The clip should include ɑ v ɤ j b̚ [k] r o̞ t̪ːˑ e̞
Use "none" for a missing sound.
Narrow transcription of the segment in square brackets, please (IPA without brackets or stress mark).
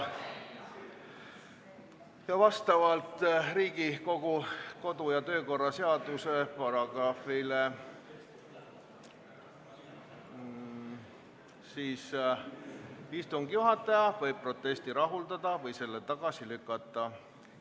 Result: p